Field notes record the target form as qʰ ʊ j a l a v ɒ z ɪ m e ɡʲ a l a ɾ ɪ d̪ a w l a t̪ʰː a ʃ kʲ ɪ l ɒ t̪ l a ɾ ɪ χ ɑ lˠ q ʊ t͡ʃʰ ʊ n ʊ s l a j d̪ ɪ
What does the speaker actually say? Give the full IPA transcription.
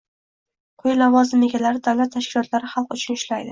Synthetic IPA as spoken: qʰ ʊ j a l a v ɒ z ɪ m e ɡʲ a l a ɾ ɪ d̪ a w l a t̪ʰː a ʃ kʲ ɪ l ɒ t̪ l a ɾ ɪ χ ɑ lˠ q ʊ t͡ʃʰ ʊ n ʊ ʃ l a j d̪ ɪ